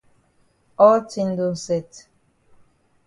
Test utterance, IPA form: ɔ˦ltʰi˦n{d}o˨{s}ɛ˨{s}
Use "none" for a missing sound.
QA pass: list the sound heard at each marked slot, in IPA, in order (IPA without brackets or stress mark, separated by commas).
d, s, t